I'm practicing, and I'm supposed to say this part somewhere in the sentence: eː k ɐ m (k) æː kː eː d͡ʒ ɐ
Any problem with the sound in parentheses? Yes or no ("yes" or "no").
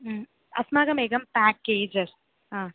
yes